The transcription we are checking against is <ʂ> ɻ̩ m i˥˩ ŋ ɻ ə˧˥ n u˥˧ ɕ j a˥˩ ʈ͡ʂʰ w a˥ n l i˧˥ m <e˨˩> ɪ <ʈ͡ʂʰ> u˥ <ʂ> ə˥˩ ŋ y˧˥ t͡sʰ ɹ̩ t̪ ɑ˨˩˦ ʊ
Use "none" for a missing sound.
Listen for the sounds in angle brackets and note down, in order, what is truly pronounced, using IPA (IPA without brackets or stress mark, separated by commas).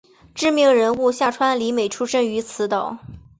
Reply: ʈ͡ʂ, e˨˩, ʈ͡ʂʰ, ʂ